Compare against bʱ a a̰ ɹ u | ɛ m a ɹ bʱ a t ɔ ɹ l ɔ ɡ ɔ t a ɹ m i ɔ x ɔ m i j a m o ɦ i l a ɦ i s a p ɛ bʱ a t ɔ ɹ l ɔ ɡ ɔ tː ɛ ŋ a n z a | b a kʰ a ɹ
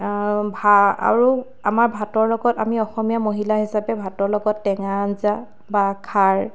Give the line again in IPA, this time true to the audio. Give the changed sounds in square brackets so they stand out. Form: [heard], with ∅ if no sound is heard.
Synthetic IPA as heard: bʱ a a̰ ɹ u | [a] m a ɹ bʱ a t ɔ ɹ l ɔ ɡ ɔ t a [∅] m i ɔ x ɔ m i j a m o ɦ i l a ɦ i s a p ɛ bʱ a t ɔ ɹ l ɔ ɡ ɔ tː ɛ ŋ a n z a | b a kʰ a ɹ